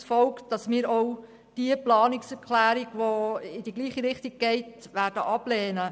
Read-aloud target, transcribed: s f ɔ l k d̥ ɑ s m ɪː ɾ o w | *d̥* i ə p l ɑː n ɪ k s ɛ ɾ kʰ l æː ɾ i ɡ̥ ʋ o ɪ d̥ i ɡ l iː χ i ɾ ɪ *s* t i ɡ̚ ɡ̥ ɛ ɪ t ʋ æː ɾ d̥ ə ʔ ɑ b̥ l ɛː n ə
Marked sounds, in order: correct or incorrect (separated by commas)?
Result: correct, incorrect